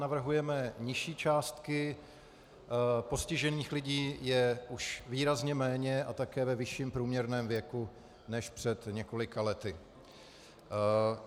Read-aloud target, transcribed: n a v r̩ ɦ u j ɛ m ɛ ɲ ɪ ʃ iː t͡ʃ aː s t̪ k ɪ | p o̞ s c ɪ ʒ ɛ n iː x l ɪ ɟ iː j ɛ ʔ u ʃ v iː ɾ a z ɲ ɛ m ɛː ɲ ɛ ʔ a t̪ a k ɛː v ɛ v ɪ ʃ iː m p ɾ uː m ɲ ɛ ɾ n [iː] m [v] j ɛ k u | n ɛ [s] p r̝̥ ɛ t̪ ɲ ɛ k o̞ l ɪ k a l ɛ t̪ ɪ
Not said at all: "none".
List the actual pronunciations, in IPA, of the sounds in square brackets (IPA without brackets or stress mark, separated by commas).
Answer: ɛː, v, ʃ